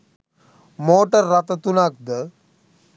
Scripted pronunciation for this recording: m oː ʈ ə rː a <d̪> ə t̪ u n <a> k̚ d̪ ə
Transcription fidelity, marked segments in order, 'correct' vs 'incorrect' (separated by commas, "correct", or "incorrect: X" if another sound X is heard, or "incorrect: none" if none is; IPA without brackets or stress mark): incorrect: t̪, correct